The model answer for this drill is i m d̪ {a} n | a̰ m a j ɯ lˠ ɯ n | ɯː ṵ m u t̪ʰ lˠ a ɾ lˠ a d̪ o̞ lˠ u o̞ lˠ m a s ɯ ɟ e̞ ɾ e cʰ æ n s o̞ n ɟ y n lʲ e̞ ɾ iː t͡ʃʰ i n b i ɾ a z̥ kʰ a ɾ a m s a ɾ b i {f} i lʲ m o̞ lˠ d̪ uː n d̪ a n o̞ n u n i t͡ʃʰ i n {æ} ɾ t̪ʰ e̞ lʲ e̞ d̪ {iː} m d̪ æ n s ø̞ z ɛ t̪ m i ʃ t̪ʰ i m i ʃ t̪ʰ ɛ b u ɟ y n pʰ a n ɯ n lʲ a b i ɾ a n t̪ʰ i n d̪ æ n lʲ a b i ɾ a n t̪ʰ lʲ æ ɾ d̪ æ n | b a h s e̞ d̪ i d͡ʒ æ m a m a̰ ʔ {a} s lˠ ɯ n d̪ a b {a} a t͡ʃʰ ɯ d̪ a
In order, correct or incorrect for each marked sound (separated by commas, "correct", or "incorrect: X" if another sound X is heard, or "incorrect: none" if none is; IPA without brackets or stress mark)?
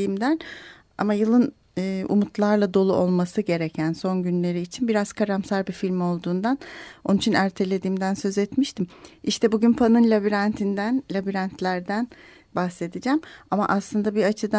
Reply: incorrect: æ, correct, correct, correct, correct, incorrect: i